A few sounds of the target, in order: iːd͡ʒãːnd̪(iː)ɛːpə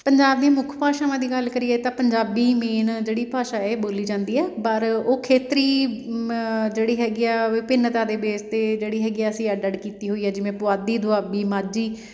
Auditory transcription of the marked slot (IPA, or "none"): iː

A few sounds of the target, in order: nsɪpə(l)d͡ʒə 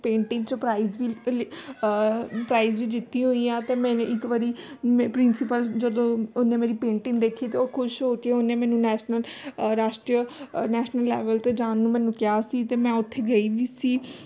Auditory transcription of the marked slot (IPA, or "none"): l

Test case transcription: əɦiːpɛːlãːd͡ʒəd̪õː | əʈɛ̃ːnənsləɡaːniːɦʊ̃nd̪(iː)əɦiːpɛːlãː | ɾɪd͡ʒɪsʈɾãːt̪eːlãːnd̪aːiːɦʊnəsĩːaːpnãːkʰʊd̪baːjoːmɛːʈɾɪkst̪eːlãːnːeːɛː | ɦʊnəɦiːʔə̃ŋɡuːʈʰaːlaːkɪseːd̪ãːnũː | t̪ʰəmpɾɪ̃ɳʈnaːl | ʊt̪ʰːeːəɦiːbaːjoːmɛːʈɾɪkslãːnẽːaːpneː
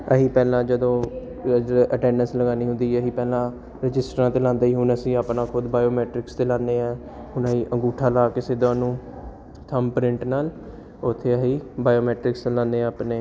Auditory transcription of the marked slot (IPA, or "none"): iː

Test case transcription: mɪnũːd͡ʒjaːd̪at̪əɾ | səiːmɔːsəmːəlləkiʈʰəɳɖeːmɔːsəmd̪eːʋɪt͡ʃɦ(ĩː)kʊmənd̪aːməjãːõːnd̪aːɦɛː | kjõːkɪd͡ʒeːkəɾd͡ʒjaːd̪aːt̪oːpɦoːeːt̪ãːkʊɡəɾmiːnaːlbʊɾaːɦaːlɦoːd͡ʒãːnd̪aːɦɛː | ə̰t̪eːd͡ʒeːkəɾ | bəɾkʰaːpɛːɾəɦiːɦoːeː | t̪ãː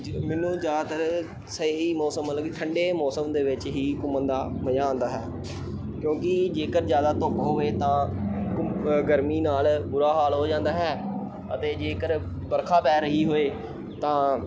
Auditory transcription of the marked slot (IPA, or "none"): iː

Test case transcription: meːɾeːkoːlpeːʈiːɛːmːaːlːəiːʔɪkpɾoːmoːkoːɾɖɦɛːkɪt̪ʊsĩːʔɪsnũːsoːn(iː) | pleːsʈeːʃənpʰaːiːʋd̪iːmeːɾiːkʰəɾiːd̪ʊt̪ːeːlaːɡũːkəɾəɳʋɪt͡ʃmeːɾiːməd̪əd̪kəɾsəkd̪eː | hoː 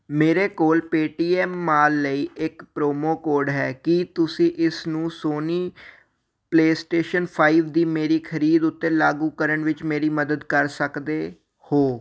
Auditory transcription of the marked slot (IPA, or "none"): iː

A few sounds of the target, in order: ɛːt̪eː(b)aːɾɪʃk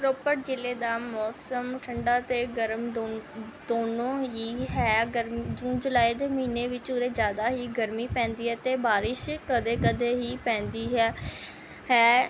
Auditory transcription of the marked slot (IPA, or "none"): b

